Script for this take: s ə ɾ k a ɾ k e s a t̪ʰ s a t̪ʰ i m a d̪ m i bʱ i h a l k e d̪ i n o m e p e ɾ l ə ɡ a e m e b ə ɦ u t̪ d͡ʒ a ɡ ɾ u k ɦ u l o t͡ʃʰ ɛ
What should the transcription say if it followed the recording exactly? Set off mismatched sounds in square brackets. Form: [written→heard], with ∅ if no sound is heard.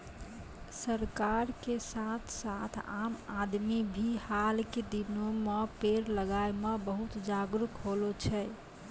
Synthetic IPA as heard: s ə ɾ k a ɾ k e s a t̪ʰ s a t̪ʰ [i→a] m a d̪ m i bʱ i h a l k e d̪ i n o m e p e ɾ l ə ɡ a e m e b ə ɦ u t̪ d͡ʒ a ɡ ɾ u k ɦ [u→o] l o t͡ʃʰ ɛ